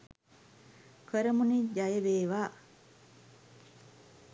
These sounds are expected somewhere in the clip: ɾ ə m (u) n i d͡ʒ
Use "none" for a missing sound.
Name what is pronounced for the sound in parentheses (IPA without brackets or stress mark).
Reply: u